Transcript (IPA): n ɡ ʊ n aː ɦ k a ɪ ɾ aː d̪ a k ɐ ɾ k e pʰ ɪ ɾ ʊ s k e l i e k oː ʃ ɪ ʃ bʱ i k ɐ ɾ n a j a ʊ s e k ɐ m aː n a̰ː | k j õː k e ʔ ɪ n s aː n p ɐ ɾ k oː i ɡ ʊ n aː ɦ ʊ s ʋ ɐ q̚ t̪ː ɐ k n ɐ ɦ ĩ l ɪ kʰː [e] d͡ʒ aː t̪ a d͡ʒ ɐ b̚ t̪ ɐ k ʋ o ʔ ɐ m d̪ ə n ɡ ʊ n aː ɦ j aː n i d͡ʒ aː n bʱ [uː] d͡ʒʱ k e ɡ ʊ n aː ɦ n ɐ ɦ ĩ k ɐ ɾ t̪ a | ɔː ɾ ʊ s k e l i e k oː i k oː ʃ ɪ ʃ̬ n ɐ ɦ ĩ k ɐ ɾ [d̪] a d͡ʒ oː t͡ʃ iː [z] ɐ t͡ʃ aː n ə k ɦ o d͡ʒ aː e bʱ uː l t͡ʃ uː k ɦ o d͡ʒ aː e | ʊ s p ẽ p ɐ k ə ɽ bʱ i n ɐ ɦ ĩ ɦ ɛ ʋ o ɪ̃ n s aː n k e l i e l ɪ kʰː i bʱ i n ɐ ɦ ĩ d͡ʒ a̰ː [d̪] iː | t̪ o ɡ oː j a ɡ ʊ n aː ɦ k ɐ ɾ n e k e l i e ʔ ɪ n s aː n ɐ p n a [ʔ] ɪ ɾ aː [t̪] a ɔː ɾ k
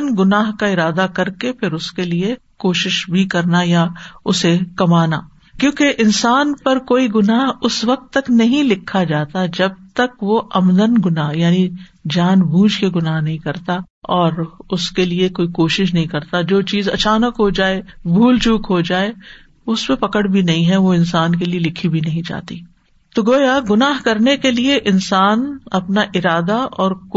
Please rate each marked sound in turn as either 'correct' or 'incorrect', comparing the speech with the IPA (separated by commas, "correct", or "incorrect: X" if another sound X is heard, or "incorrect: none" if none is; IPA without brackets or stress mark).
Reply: incorrect: a, correct, incorrect: t̪, correct, incorrect: t̪, correct, incorrect: d̪